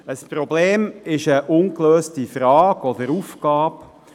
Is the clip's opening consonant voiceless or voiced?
voiceless